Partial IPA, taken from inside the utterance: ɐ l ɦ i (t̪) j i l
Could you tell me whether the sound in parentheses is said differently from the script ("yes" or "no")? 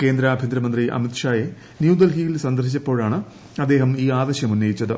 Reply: yes